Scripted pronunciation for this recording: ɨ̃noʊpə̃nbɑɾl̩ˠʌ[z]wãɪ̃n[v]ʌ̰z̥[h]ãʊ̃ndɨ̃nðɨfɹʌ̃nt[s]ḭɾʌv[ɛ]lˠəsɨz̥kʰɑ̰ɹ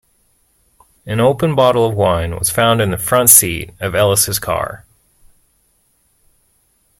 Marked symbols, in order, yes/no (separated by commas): no, no, no, yes, yes